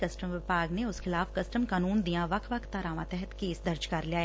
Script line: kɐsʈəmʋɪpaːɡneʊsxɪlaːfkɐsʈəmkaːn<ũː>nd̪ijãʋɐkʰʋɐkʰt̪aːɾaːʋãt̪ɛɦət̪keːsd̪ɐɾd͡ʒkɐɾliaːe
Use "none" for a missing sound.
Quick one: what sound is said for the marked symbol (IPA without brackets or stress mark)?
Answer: uː